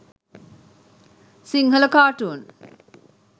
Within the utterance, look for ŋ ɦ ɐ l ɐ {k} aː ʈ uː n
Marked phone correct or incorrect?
correct